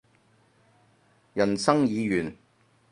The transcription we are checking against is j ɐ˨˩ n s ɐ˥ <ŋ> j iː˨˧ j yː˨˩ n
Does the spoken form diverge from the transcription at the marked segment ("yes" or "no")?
no